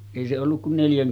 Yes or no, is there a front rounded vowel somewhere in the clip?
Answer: no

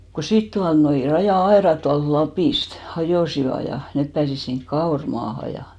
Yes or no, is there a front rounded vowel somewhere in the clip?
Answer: no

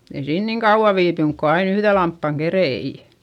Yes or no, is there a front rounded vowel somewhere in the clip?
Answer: yes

